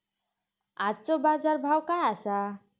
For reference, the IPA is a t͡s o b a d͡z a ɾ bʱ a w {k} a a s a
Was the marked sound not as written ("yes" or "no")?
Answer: no